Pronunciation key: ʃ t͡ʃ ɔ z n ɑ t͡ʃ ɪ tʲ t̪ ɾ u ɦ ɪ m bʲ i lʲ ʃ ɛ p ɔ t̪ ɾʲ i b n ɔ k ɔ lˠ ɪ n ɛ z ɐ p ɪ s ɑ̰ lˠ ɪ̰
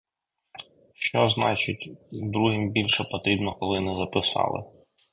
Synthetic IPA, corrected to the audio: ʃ t͡ʃ ɔ z n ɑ t͡ʃ ɪ tʲ d̪ ɾ u ɦ ɪ m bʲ i lʲ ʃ ɛ p ɔ t̪ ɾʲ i b n ɔ k ɔ lˠ ɪ n ɛ z ɐ p ɪ s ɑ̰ lˠ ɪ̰